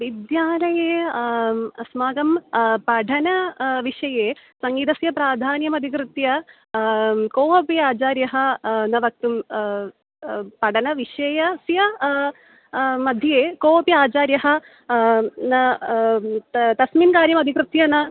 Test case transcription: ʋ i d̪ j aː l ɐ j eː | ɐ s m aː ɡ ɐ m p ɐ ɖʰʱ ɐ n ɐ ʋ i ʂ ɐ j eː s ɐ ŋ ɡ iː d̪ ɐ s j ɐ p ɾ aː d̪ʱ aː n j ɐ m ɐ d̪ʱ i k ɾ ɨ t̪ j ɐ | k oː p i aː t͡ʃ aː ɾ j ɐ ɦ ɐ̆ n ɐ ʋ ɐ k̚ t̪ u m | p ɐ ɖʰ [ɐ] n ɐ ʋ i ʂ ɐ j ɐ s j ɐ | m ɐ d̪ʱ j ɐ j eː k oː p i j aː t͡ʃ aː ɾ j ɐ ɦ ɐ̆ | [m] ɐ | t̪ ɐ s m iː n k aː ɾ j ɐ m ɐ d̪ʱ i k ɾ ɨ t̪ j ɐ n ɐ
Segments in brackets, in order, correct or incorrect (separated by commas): correct, incorrect